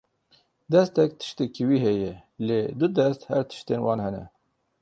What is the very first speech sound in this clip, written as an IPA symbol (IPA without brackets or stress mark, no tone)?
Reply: d̪